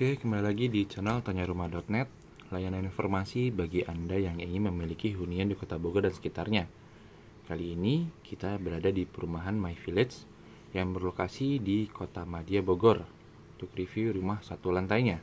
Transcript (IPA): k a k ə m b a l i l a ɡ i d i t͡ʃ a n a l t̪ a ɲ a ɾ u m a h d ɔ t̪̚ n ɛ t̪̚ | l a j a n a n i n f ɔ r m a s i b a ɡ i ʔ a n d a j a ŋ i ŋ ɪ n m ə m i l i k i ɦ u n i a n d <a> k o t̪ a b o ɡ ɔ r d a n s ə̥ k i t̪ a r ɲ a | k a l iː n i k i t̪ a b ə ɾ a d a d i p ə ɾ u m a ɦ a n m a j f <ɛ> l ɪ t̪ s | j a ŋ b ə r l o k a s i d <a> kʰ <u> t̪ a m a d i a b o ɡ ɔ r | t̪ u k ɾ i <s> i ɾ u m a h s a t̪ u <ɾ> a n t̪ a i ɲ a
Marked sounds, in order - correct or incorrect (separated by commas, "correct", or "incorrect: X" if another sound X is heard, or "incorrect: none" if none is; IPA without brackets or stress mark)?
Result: incorrect: i, incorrect: i, incorrect: i, incorrect: o, incorrect: f, incorrect: l